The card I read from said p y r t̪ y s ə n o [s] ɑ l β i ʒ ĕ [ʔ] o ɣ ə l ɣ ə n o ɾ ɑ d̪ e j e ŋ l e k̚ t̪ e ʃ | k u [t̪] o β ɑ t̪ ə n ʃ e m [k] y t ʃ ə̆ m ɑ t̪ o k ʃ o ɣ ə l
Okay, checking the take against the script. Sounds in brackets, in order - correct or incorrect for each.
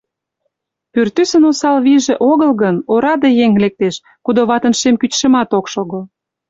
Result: correct, correct, incorrect, correct

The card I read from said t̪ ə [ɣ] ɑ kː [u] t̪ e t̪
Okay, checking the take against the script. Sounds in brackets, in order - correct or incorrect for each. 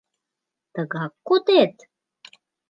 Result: correct, incorrect

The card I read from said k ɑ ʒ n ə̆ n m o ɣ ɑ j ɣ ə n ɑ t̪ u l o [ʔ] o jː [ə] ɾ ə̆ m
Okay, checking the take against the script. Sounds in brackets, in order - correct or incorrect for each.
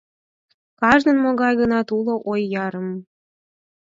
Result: correct, incorrect

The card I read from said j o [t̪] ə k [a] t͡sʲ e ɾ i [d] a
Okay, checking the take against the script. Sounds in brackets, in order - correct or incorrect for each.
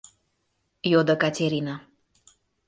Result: incorrect, correct, incorrect

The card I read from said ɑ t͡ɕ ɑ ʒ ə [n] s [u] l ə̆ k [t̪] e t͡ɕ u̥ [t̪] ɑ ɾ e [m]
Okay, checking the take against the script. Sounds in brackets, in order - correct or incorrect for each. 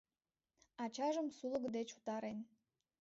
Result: incorrect, correct, incorrect, correct, incorrect

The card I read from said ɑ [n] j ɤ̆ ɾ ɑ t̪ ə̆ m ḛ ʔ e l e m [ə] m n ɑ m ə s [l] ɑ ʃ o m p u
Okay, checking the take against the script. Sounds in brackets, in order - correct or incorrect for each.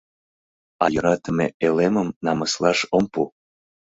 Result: incorrect, correct, correct

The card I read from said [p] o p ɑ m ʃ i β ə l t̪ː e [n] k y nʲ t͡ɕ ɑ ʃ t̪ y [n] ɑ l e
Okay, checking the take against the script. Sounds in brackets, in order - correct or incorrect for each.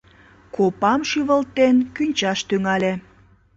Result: incorrect, correct, incorrect

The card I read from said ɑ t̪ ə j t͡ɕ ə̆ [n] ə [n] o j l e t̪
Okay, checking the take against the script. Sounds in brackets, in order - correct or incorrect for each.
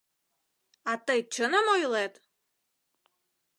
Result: correct, incorrect

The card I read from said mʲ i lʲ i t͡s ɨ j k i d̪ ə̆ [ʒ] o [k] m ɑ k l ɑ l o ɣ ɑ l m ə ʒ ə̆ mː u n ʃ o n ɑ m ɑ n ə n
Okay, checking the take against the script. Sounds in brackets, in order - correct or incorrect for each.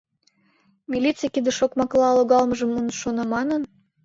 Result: incorrect, correct

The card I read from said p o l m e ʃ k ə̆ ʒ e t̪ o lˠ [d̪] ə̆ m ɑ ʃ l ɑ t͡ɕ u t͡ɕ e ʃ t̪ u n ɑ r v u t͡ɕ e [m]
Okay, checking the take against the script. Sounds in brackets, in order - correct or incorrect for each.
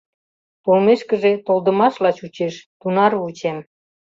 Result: correct, correct

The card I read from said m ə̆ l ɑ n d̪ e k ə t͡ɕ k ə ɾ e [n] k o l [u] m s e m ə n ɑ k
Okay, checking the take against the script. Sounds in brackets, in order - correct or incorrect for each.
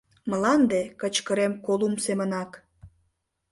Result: incorrect, correct

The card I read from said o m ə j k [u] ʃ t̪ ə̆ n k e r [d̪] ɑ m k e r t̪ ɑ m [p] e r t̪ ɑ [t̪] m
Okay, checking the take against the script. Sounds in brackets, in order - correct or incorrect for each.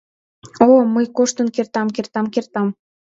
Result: incorrect, incorrect, incorrect, incorrect

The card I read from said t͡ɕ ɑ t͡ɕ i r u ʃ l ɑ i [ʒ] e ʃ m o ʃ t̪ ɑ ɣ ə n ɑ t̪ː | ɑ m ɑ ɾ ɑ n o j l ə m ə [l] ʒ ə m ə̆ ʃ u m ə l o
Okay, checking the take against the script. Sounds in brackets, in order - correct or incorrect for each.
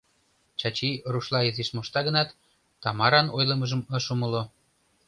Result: incorrect, incorrect

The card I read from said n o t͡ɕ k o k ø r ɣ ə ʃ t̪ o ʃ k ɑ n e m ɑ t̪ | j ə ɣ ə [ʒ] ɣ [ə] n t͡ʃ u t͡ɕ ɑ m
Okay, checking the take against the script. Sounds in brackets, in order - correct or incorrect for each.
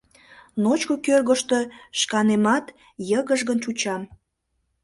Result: correct, correct

